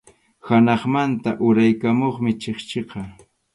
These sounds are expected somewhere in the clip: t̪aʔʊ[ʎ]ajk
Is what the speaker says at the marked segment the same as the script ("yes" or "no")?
no